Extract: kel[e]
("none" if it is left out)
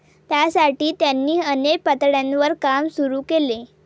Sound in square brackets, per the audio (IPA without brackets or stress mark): e